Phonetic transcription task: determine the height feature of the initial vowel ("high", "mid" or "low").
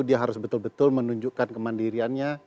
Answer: high